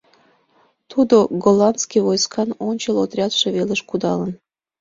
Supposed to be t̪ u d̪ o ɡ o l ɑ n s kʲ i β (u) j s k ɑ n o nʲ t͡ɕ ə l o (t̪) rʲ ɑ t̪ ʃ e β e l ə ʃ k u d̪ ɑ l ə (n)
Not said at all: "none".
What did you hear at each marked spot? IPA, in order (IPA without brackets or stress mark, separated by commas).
o, t̪, n